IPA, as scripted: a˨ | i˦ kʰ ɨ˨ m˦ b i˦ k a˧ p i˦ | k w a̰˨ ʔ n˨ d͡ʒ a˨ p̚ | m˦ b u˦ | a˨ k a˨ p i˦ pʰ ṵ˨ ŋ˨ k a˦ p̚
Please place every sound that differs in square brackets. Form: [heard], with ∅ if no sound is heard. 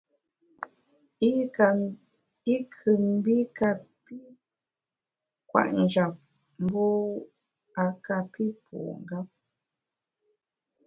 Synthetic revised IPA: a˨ | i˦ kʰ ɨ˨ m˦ b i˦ k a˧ p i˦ | k w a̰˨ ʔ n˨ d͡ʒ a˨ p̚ | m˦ b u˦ | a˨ k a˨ p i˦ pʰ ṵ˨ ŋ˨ [ɡ] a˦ p̚